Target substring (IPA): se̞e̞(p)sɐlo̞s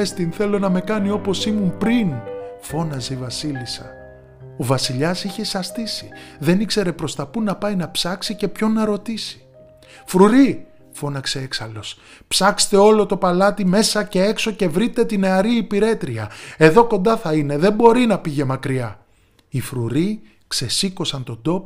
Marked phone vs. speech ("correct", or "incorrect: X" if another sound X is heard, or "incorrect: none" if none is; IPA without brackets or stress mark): incorrect: k